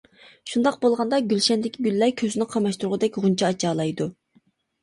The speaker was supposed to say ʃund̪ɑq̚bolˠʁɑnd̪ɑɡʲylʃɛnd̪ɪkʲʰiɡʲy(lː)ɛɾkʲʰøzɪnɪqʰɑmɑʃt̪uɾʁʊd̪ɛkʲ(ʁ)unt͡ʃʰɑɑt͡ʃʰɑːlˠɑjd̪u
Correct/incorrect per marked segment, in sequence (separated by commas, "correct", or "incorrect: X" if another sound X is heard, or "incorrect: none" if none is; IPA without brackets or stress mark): correct, correct